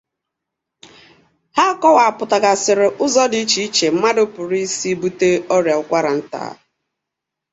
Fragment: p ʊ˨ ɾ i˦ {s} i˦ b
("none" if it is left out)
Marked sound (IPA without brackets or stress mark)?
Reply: s